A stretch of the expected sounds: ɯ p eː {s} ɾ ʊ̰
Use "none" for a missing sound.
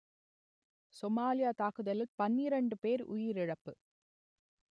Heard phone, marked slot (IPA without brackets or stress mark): none